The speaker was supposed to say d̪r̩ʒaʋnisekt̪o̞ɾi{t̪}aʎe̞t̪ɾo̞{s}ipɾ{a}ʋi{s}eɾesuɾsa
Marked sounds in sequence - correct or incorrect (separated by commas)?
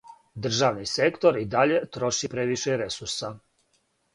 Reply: incorrect, incorrect, incorrect, incorrect